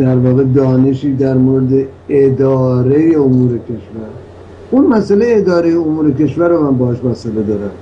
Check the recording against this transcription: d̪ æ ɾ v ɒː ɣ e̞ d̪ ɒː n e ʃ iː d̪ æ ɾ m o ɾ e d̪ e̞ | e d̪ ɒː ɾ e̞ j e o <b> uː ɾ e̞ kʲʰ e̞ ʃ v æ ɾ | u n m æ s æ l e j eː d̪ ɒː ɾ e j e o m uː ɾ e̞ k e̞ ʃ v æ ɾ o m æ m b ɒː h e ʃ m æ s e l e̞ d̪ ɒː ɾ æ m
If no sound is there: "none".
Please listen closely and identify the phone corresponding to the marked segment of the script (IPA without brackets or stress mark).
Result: m